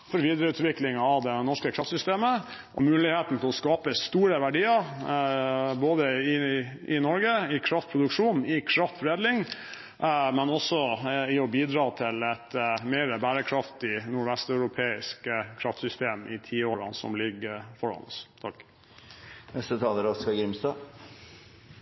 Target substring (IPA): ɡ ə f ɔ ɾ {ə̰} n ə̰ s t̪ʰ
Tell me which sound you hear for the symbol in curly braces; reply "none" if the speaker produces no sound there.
ɑ̰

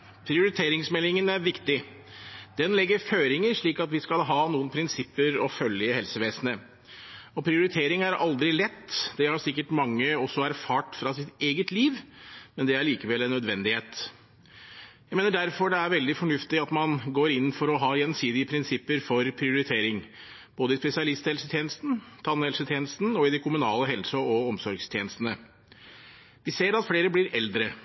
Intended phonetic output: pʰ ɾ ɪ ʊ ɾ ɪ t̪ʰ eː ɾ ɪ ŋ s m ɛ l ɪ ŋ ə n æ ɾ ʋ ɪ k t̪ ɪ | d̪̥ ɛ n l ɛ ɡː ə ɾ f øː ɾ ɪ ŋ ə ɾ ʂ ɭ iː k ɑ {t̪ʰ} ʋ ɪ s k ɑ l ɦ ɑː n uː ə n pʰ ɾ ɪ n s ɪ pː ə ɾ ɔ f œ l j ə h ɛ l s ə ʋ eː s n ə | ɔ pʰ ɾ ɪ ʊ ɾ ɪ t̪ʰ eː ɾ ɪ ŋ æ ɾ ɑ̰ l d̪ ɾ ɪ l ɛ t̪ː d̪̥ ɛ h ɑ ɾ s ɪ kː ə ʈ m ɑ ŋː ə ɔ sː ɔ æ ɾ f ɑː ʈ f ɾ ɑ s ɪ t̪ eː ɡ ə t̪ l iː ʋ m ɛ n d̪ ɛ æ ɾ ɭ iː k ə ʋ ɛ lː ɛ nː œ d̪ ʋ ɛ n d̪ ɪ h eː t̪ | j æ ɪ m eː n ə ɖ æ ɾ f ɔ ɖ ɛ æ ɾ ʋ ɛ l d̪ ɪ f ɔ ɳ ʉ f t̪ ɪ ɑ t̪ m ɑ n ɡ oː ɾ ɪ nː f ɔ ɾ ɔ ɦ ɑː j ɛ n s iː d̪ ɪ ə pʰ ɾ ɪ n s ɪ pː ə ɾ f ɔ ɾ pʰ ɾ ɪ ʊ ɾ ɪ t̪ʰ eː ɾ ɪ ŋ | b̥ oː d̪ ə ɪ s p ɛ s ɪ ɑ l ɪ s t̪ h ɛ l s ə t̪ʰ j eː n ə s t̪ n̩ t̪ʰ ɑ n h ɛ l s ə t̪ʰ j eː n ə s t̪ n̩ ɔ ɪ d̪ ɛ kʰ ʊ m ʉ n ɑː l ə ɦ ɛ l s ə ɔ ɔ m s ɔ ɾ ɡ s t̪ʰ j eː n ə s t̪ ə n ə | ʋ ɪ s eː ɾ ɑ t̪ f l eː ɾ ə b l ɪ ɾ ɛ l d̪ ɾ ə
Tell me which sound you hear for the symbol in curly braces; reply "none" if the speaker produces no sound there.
t̪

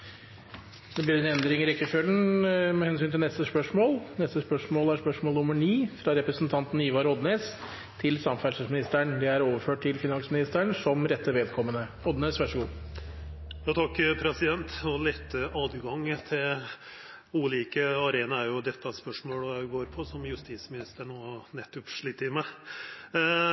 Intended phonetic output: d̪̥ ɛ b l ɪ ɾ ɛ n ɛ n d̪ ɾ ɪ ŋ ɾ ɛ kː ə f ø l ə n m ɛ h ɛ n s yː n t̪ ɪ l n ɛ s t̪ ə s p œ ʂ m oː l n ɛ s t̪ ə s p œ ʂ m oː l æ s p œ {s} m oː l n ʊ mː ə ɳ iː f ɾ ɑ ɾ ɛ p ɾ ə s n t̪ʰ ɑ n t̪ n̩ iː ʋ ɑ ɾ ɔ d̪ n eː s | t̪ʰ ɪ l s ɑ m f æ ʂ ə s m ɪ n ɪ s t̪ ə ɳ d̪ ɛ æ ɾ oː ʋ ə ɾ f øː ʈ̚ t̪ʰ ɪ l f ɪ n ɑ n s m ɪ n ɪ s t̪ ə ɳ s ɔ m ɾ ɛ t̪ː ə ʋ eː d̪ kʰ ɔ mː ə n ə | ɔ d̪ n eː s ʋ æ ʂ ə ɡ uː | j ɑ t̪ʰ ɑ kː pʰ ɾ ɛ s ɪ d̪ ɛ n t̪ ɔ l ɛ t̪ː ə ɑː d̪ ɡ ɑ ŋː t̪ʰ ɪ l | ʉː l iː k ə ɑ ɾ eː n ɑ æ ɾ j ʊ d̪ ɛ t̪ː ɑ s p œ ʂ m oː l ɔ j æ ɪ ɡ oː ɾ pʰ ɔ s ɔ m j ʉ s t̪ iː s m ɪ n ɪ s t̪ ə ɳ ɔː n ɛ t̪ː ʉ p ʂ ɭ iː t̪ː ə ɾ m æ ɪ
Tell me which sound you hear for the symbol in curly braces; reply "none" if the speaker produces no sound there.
ʂ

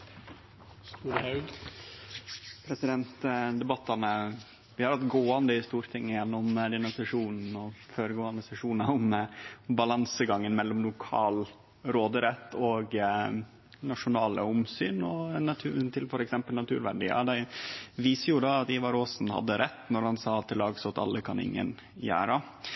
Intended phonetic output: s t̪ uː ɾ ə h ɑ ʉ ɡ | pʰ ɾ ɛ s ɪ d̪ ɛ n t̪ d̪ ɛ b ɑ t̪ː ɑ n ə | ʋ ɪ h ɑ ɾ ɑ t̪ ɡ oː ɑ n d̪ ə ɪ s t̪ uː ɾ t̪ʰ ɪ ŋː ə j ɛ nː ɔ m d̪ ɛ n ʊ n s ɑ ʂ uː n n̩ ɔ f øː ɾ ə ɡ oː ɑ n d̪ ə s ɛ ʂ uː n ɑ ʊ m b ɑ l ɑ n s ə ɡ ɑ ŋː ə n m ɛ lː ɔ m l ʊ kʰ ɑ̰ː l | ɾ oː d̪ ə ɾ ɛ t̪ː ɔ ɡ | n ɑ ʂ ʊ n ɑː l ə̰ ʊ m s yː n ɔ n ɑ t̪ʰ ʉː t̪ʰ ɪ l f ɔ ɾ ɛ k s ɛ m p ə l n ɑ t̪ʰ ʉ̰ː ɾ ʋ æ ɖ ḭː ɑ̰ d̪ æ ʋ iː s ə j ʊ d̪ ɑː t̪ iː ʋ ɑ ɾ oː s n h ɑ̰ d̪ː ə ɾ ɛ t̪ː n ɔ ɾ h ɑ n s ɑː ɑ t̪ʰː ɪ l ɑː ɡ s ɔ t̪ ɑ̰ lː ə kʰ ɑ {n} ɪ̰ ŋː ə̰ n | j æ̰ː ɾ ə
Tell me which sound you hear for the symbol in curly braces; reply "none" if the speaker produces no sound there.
n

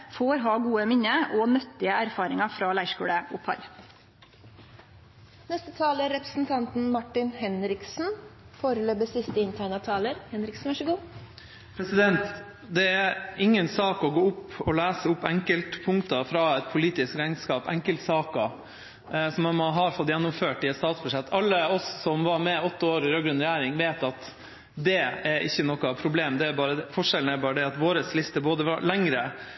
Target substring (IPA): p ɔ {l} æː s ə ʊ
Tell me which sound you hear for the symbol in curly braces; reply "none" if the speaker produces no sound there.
l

